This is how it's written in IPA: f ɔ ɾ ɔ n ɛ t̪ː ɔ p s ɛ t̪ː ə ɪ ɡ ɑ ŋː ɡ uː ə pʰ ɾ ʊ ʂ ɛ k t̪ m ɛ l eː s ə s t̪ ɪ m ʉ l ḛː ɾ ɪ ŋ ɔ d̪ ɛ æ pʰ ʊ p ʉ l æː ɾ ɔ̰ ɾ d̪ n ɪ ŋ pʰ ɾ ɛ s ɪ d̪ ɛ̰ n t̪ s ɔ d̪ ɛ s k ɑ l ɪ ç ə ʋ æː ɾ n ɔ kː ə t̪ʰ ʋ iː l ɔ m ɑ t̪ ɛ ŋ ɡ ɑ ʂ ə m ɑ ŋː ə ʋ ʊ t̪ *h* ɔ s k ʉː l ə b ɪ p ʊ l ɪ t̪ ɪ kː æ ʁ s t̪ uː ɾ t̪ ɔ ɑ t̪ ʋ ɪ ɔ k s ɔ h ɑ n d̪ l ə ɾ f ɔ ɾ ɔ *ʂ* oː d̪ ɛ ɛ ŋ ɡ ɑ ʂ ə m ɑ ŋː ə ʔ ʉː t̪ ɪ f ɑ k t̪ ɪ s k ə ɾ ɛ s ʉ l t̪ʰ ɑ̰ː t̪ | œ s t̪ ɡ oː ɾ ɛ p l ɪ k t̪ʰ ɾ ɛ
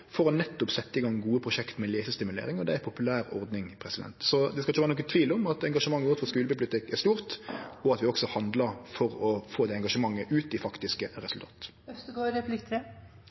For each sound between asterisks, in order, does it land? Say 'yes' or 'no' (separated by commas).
no, no